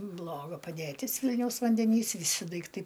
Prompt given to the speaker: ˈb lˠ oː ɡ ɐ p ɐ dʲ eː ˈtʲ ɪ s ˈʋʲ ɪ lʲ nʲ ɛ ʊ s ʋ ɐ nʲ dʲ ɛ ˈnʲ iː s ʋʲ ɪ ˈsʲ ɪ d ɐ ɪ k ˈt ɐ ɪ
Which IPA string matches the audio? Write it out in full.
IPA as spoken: ˈb lˠ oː ɡ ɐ p ɐ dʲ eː ˈtʲ ɪ s ˈʋʲ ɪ lʲ nʲ ɛ ʊ s ʋ ɐ nʲ dʲ ɛ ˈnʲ iː s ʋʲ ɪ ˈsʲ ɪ d ɐ ɪ k ˈt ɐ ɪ